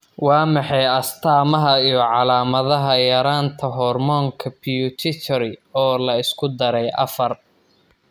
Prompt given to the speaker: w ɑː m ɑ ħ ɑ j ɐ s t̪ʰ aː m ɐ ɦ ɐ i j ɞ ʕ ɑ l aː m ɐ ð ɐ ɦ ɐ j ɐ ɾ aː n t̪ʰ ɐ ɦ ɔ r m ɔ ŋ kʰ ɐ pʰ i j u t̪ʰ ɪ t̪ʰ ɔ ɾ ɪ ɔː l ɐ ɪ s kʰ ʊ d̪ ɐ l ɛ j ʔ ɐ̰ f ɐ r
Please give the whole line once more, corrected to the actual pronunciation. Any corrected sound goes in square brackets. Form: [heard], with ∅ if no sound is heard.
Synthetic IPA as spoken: w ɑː m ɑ ħ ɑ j ɐ s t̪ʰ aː m ɐ ɦ ɐ i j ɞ ʕ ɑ l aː m ɐ ð ɐ ɦ ɐ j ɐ ɾ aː n t̪ʰ ɐ ɦ ɔ r m ɔ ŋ kʰ ɐ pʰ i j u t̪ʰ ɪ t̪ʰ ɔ ɾ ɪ ɔː l ɐ ɪ s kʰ ʊ d̪ ɐ [ɾ] ɛ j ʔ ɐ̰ f ɐ r